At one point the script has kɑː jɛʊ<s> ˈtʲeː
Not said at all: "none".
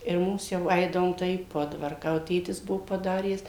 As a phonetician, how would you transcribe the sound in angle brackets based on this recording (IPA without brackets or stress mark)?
none